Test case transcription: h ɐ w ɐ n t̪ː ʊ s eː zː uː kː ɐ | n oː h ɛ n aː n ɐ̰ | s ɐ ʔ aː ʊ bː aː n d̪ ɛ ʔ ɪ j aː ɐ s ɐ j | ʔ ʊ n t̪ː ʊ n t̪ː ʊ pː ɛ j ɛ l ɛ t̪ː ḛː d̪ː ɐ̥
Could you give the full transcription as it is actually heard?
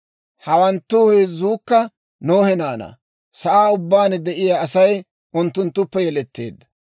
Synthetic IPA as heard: h ɐ w ɐ n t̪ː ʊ h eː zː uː kː ɐ | n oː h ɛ n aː n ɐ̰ | s ɐ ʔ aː ʊ bː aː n d̪ ɛ ʔ ɪ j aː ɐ s ɐ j | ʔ ʊ n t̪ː ʊ n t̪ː ʊ pː ɛ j ɛ l ɛ t̪ː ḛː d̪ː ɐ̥